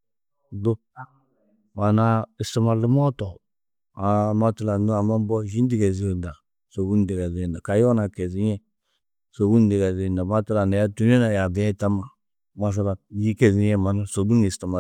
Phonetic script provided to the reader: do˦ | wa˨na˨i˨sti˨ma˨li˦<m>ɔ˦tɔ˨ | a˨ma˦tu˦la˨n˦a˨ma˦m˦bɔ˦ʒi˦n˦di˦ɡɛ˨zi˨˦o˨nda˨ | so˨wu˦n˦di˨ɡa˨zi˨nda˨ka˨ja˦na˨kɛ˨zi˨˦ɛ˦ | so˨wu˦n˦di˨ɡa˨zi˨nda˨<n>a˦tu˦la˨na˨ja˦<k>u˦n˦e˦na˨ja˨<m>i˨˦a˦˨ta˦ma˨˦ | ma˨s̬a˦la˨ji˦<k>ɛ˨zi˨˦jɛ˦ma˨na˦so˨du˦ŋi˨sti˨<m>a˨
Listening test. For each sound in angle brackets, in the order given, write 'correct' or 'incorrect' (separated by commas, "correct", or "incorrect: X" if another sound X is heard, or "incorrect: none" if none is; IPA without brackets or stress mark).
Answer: correct, incorrect: m, incorrect: t, incorrect: b, correct, correct